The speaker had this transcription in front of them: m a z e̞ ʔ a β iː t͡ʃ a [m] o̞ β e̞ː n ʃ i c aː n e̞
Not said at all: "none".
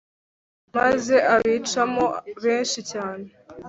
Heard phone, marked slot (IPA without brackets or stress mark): m